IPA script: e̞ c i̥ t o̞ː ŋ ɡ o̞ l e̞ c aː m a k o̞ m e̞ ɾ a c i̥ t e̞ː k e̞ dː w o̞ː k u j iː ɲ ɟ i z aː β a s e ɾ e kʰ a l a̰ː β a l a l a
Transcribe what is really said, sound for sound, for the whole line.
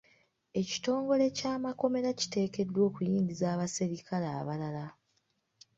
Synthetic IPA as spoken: e̞ c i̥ t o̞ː ŋ ɡ o̞ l e̞ c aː m a k o̞ m e̞ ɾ a c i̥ t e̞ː k e̞ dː w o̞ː k u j iː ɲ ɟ i z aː β a s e ɾ i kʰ a l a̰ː β a l a l a